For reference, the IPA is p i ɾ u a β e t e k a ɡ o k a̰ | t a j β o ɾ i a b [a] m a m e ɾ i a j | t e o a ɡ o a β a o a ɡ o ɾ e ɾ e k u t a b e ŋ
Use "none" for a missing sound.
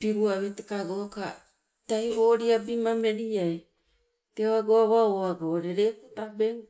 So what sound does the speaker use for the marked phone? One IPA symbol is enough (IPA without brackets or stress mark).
i